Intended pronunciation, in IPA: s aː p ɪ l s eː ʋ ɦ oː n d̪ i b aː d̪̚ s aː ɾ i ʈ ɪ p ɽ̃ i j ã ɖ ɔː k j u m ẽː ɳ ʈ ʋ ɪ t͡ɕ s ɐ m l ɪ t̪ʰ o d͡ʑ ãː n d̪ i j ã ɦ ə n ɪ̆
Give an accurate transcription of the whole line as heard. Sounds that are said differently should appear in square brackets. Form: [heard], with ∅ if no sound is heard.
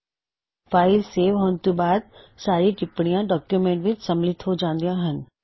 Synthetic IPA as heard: [f] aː [∅] ɪ l s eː ʋ ɦ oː n [t̪] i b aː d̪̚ s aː ɾ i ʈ ɪ p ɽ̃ i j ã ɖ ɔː k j u m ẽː ɳ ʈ ʋ ɪ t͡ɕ s ɐ m l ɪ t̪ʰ o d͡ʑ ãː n d̪ i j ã ɦ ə n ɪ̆